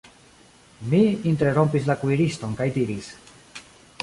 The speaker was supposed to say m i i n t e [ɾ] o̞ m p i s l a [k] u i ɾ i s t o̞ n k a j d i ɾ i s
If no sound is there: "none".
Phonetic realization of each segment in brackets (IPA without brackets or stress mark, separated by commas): ɾ, k